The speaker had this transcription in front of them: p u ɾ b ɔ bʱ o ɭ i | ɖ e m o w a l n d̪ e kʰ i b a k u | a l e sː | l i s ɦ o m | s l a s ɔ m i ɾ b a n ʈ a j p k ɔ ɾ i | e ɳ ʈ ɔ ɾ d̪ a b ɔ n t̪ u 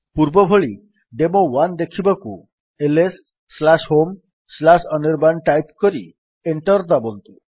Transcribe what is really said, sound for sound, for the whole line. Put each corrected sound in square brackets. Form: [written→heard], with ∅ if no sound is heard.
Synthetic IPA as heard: p u ɾ b ɔ bʱ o ɭ i | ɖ e m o w a [l→∅] n d̪ e kʰ i b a k u | [a→e] l e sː | l [i→a] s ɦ o m | s l a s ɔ [m→n] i ɾ b a n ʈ a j p k ɔ ɾ i | e ɳ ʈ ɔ ɾ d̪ a b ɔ n t̪ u